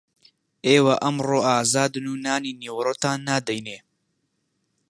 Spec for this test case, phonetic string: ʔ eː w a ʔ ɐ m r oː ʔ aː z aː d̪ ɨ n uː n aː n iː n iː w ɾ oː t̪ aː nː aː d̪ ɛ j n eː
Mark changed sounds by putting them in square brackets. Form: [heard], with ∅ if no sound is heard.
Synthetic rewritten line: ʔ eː w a ʔ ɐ m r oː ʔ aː z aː d̪ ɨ n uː n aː n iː n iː w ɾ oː t̪ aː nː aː d̪ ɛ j n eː